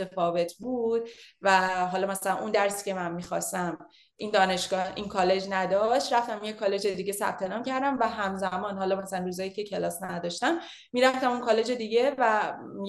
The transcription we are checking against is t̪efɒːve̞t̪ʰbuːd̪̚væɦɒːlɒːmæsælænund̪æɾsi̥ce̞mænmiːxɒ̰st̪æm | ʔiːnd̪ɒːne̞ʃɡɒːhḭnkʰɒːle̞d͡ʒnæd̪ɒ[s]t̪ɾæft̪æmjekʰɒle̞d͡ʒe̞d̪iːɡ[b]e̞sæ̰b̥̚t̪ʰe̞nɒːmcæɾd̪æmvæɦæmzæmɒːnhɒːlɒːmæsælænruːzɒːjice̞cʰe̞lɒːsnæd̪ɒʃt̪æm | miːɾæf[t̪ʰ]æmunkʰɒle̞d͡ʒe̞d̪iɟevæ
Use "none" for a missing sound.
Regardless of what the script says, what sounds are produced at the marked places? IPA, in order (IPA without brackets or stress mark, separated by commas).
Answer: ʃ, ɟ, t̪